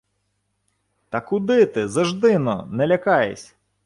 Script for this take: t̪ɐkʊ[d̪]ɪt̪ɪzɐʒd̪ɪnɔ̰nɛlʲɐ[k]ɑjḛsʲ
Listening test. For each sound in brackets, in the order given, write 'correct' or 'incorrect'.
correct, correct

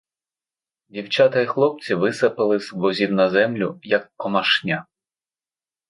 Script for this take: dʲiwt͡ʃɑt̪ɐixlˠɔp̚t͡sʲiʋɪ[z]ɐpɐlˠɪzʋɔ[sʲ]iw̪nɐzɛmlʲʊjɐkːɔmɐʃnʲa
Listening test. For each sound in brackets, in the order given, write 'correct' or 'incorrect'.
incorrect: s, incorrect: zʲ

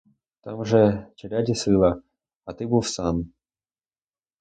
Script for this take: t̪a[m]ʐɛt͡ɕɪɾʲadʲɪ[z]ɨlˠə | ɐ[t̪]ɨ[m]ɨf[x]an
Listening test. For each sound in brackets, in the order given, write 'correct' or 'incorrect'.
correct, incorrect: s, correct, incorrect: b, incorrect: s

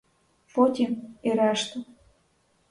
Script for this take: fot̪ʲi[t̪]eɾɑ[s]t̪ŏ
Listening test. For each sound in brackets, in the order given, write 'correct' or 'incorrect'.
incorrect: none, incorrect: ʃ

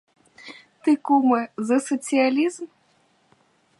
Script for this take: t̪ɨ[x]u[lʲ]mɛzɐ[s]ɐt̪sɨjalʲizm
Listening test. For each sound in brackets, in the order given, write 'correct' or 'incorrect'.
incorrect: k, incorrect: none, correct

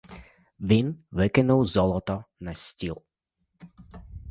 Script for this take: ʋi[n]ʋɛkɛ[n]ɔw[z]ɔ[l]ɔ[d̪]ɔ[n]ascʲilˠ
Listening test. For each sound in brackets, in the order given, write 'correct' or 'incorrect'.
correct, correct, correct, correct, incorrect: t̪, correct

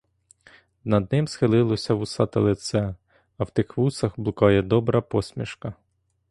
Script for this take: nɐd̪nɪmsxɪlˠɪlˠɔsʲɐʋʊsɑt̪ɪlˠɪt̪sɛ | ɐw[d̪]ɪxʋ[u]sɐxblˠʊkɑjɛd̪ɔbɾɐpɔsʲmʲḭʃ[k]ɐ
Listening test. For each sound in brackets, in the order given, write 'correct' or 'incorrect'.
incorrect: t̪, correct, correct

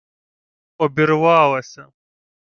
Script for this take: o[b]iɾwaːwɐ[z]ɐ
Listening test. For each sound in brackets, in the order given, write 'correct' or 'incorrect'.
correct, incorrect: s

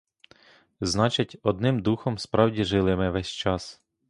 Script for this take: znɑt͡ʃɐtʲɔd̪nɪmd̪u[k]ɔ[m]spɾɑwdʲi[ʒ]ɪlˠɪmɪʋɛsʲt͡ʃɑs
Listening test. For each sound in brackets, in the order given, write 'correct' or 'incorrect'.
incorrect: x, correct, correct

